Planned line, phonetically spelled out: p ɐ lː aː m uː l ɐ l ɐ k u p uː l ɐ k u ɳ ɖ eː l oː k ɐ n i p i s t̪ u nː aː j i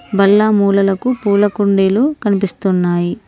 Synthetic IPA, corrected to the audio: b ɐ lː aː m uː l ɐ l ɐ k u p uː l ɐ k u ɳ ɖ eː l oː k ɐ n i p i s t̪ u nː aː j i